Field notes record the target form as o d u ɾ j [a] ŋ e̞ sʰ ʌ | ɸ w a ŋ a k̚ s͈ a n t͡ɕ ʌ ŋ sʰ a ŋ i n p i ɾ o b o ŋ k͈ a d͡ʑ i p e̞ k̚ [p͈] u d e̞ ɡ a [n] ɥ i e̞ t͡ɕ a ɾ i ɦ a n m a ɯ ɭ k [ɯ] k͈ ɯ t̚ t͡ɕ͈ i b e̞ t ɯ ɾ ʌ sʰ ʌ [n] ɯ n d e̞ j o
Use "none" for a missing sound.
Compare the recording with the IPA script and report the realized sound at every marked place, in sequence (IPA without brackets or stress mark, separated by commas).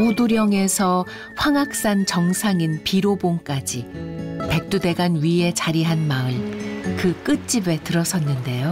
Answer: ʌ, t͈, n, ɯ, nː